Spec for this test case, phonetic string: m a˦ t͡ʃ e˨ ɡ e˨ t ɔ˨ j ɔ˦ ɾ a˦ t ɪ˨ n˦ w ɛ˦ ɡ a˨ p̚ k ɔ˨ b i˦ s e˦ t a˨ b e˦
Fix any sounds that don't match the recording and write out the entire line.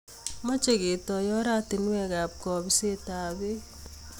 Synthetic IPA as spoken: m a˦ t͡ʃ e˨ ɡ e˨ t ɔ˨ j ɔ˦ ɾ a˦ t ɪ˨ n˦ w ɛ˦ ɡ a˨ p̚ k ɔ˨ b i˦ s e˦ t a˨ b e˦